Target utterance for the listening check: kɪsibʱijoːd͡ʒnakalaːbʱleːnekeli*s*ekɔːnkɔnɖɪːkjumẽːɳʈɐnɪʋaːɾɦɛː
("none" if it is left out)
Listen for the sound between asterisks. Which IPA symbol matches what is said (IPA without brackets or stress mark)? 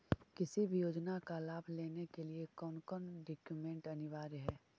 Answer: none